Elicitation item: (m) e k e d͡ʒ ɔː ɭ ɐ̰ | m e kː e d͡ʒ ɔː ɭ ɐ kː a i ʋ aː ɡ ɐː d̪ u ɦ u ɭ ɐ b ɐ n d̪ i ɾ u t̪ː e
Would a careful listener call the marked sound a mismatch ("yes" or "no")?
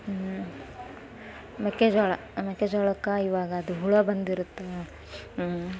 no